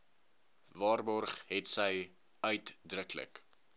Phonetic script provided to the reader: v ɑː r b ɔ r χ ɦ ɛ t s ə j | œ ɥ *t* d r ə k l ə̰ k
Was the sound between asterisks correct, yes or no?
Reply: yes